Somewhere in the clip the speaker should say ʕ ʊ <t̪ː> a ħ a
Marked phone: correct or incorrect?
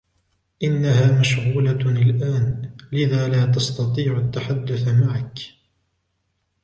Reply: correct